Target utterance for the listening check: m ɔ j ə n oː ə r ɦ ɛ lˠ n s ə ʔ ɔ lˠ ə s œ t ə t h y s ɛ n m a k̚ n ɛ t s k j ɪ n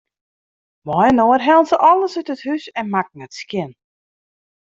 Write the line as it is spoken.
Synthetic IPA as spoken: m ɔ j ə n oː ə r ɦ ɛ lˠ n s ə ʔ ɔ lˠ ə s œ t ə t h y s ɛ n m a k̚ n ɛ t s k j ɪ n

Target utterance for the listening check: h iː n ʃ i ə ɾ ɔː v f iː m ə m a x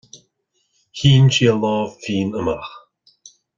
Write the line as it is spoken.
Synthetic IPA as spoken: h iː n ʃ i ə l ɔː v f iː n ə m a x

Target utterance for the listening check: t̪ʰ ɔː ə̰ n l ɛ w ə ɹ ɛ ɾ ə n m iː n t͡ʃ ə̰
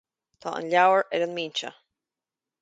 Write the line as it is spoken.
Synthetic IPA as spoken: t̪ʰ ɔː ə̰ n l a w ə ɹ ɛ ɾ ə n m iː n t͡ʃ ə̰

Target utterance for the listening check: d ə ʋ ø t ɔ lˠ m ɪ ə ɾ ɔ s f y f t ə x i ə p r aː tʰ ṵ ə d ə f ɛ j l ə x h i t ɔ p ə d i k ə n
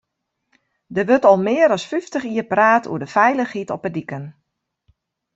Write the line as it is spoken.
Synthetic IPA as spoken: d ə ʋ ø t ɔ lˠ m ɪ ə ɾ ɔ s f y f t ə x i ə p r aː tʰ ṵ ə d ə f ɛ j l ə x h i t ɔ p ə d i k ə n

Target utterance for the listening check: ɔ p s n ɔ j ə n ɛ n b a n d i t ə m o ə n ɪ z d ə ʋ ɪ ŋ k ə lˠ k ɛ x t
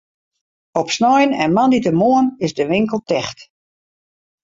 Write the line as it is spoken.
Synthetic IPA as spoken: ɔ p s n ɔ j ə n ɛ n m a n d i t ə m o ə n ɪ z d ə ʋ ɪ ŋ k ə lˠ t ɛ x t

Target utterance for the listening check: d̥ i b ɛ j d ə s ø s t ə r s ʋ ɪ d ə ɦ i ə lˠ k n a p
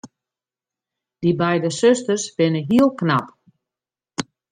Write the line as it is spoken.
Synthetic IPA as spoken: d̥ i b ɛ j d ə s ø s t ə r s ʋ ɪ n ə ɦ i ə lˠ k n a p

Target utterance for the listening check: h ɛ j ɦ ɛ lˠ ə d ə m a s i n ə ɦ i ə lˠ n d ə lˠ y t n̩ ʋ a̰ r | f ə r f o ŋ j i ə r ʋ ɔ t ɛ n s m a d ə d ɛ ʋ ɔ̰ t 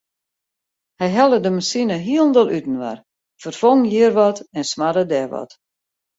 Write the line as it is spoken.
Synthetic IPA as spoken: h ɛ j ɦ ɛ lˠ ə d ə m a s i n ə ɦ i ə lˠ n d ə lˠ y t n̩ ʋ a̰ r | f ə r f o ŋ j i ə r ʋ ɔ t ɛ n s m a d ə d ɛ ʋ ɔ̰ t

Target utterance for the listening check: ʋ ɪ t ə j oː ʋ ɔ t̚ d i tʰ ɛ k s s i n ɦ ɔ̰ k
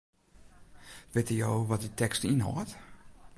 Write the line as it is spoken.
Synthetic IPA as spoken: ʋ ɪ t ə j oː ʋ ɔ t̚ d i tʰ ɛ k s t i n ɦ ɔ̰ t

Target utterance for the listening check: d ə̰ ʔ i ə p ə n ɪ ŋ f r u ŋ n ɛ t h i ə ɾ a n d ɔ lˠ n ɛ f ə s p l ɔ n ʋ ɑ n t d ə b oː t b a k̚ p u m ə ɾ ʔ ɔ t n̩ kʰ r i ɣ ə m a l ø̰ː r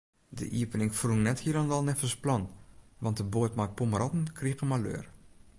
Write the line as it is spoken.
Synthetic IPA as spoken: d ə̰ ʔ i ə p ə n ɪ ŋ f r u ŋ n ɛ t h i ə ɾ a n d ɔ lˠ n ɛ f ə s p l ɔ n ʋ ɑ n t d ə b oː t m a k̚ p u m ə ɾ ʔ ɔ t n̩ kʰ r i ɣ ə m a l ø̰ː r

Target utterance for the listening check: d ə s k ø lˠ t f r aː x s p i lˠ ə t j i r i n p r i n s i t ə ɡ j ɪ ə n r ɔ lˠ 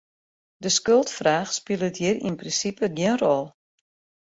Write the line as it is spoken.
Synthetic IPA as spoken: d ə s k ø lˠ t f r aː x s p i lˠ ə t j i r i n p r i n s i p ə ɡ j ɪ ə n r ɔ lˠ

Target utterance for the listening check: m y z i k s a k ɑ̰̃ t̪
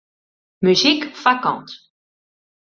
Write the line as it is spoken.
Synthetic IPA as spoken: m y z i k f a k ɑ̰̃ t̪

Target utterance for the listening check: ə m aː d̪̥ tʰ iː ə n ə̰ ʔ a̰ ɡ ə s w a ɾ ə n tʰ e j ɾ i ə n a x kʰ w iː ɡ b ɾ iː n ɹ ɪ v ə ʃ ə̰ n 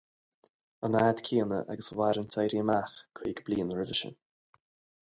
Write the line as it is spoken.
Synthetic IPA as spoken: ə n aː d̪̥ kʰ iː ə n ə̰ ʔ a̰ ɡ ə s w a ɾ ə n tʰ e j ɾ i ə m a x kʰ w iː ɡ b l iː n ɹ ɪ v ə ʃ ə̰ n

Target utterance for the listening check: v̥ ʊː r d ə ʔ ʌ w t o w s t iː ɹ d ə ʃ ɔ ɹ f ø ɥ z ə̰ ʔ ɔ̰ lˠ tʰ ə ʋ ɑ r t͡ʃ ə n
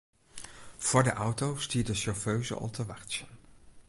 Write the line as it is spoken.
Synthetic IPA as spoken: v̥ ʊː ɹ d ə ʔ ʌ w t o w s t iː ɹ d ə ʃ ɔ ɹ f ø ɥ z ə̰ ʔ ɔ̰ lˠ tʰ ə ʋ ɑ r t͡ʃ ə n

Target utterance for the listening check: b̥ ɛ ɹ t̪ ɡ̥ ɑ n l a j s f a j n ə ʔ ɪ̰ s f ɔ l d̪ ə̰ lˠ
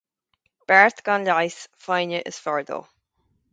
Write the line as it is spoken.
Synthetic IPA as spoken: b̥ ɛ ɹ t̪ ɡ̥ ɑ n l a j s f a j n ə ʔ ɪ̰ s f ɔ ɹ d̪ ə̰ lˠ

